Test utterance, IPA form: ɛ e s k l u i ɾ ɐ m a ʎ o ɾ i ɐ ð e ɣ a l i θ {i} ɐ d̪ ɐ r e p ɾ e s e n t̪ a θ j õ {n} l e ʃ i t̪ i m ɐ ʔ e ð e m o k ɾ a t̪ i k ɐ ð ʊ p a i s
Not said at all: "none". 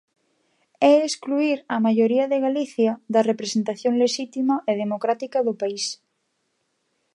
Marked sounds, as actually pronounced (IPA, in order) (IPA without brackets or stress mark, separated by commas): j, ŋ